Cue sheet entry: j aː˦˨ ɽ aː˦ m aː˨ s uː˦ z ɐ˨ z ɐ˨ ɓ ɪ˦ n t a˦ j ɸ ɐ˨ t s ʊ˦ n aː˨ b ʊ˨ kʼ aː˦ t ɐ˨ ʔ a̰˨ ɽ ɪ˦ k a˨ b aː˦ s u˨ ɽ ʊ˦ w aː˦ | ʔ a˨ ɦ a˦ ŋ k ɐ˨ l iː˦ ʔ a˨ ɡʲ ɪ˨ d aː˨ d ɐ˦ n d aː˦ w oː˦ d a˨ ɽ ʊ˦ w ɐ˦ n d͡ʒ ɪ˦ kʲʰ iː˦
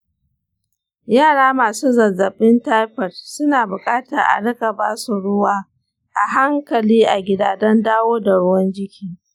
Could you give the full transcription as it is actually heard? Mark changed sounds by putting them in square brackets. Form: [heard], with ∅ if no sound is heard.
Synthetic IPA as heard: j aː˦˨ ɽ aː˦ m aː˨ s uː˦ z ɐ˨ z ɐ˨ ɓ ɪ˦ n t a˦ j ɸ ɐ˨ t s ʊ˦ n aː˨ b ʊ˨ kʼ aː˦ t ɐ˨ ʔ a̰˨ ɽ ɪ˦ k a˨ b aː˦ s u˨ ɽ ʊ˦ w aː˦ | ʔ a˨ ɦ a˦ ŋ k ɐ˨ l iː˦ ʔ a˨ ɡʲ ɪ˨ d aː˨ d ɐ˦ n d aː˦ w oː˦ d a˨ ɽ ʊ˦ w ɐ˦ n d͡ʒ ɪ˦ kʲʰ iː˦